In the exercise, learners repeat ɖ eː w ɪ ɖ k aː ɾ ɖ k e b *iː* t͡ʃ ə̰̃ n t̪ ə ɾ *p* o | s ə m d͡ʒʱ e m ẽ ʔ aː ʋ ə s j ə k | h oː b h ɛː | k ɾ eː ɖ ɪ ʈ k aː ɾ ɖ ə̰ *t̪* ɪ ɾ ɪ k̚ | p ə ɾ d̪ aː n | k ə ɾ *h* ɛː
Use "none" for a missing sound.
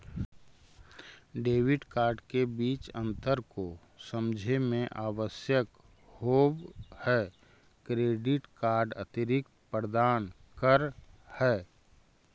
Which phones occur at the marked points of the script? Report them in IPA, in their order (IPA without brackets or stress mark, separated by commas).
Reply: iː, k, t̪, h